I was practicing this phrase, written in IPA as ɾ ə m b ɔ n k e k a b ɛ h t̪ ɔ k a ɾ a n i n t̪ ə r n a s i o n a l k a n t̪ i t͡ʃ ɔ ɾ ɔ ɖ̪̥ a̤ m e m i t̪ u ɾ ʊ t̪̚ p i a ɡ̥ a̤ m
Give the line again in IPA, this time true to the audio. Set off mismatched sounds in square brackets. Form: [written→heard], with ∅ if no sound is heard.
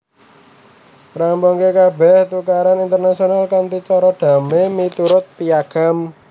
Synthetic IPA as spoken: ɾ [ə→a] m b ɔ [n→ŋ] k e k a b ɛ h t̪ [ɔ→u] k a ɾ a n i n t̪ ə r n a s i o n a l k a n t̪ i t͡ʃ ɔ ɾ ɔ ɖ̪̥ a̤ m e m i t̪ u ɾ ʊ t̪̚ p i a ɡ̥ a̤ m